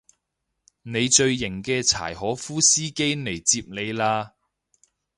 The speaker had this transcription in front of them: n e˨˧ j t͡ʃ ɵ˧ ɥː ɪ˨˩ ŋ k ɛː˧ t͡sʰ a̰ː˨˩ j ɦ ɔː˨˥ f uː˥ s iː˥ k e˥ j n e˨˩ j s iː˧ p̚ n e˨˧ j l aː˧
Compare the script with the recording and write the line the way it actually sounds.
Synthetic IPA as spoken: n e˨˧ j t͡ʃ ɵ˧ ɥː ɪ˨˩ ŋ k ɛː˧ t͡sʰ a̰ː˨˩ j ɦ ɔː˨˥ f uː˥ s iː˥ k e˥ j n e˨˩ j t͡s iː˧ p̚ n e˨˧ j l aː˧

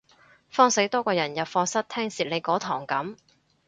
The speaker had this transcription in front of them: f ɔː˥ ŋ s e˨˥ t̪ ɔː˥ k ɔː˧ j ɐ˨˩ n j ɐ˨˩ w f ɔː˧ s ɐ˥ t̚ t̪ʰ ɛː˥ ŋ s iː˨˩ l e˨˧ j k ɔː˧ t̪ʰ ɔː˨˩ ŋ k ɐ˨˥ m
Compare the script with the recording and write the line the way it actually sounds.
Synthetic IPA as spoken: f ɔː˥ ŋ s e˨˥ t̪ ɔː˥ k ɔː˧ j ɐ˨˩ n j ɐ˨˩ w f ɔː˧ s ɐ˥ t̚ t̪ʰ ɛː˥ ŋ s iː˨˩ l e˨˧ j k ɔː˨˥ t̪ʰ ɔː˨˩ ŋ k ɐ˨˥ m

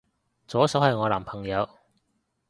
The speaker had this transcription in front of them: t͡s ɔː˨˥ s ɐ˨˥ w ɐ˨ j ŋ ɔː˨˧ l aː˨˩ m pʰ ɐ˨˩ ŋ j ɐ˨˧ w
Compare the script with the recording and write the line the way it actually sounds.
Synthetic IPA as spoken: t͡s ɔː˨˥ s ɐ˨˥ w ɐ˨ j ŋ ɔː˨˧ l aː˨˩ m pʰ ɐ˨˩ ŋ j ɐ˨˧ w

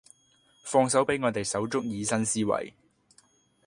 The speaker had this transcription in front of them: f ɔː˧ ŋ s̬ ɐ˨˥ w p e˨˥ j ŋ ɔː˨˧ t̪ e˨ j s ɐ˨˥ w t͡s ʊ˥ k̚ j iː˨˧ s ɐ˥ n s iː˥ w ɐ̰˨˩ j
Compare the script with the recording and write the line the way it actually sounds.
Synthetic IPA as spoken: f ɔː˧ ŋ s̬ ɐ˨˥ w p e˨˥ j ŋ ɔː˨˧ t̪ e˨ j s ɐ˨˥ w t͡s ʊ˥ k̚ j iː˨˧ s ɐ˥ n s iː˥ w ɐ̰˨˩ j

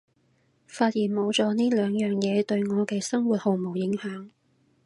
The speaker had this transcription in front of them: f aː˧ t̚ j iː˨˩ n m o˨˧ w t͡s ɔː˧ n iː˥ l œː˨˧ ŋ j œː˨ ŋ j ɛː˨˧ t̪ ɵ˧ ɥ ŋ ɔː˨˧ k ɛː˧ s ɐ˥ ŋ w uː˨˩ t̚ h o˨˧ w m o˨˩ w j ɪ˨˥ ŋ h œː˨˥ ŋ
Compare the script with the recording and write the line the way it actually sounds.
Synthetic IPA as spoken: f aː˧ t̚ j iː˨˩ n m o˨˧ w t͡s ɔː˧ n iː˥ l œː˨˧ ŋ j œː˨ ŋ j ɛː˨˧ t̪ ɵ˧ ɥ ŋ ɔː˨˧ k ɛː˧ s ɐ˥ ŋ w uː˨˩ t̚ h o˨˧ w m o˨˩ w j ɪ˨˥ ŋ h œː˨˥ ŋ

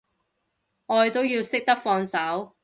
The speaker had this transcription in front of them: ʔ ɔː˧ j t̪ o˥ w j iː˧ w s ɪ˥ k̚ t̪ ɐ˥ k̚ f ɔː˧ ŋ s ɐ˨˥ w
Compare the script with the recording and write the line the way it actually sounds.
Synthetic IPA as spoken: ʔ ɔː˧ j t̪ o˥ w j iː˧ w s ɪ˥ k̚ t̪ ɐ˥ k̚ f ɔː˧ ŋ s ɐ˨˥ w

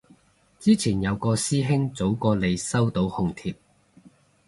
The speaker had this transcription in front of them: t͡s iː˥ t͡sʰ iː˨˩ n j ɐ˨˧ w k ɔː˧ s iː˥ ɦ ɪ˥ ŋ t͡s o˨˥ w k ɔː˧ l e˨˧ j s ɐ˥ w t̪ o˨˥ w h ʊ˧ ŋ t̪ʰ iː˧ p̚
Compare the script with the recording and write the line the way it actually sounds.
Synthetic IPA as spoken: t͡s iː˥ t͡sʰ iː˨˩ n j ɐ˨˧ w k ɔː˧ s iː˥ ɦ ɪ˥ ŋ t͡s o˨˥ w k ɔː˧ l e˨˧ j s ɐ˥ w t̪ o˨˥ w h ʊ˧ ŋ t̪ʰ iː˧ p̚

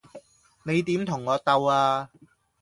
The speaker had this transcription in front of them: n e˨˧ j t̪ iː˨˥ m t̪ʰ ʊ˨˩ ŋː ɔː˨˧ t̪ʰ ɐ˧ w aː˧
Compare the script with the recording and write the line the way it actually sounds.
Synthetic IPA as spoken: n e˨˧ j t̪ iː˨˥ m t̪ʰ ʊ˨˩ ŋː ɔː˨˧ t̪ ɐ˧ w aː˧

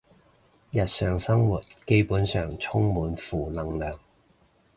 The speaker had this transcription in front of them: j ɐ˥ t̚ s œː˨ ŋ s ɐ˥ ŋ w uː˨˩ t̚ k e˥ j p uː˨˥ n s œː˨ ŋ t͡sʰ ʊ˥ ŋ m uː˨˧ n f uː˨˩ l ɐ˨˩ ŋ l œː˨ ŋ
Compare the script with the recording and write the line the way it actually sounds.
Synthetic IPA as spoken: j ɐ˨ t̚ s œː˨ ŋ s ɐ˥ ŋ w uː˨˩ t̚ k e˥ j p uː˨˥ n s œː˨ ŋ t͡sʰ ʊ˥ ŋ m uː˨˧ n f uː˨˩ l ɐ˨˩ ŋ l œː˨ ŋ

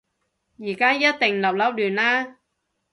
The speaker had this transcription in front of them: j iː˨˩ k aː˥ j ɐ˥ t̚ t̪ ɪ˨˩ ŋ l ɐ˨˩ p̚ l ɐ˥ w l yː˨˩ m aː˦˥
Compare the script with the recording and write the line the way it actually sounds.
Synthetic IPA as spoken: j iː˨˩ k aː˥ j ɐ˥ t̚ t̪ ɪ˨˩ ŋ l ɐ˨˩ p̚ l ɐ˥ w l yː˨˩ n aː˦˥

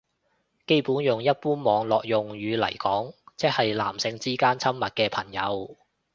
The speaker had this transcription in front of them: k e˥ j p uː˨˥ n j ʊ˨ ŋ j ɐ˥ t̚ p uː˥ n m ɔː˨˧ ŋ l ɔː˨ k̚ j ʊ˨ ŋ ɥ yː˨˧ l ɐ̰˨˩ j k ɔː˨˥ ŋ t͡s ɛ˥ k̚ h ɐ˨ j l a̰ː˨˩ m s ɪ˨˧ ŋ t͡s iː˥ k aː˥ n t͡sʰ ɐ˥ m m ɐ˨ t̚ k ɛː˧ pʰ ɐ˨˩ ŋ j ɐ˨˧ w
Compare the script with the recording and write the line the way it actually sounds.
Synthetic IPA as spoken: k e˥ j p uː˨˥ n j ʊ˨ ŋ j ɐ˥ t̚ p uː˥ n m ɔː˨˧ ŋ l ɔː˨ k̚ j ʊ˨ ŋ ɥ yː˨˧ l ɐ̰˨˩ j k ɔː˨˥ ŋ t͡s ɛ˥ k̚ h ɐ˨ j l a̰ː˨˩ m s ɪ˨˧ ŋ t͡s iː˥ k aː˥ n t͡sʰ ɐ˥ m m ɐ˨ t̚ k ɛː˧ pʰ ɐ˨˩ ŋ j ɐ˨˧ w

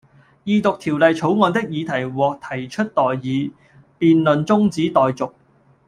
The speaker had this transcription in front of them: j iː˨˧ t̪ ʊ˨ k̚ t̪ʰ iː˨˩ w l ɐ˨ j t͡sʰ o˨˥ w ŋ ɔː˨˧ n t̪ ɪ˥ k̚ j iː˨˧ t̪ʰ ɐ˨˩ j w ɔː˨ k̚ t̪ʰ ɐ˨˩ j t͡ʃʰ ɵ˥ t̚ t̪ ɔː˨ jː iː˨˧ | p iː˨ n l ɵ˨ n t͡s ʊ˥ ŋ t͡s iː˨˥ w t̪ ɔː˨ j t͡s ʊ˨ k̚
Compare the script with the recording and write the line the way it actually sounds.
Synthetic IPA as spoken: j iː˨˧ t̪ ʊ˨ k̚ t̪ʰ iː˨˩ w l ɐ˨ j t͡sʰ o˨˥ w ŋ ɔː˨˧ n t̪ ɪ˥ k̚ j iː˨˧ t̪ʰ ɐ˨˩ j w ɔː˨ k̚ t̪ʰ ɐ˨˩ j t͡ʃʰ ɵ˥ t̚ t̪ ɔː˨ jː iː˨˧ | p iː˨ n l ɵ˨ n t͡s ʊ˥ ŋ t͡s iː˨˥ t̪ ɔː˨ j t͡s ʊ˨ k̚

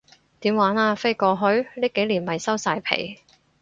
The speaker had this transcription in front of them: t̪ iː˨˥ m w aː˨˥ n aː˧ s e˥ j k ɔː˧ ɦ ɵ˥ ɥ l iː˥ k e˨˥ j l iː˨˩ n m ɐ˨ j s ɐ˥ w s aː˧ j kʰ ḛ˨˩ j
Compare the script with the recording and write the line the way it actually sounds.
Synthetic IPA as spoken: t̪ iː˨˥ m w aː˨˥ n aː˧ f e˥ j k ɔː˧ ɦ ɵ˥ ɥ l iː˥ k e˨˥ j l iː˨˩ n m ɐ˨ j s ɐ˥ w s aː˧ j pʰ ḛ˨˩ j

